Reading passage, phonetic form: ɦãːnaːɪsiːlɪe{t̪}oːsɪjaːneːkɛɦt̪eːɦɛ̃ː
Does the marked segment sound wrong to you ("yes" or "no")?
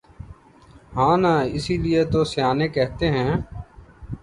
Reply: no